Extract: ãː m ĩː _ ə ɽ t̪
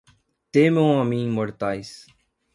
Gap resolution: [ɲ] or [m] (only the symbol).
m